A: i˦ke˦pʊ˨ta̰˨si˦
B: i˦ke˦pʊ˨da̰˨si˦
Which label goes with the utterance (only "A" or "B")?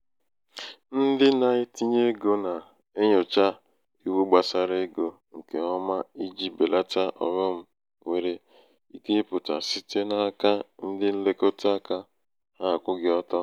A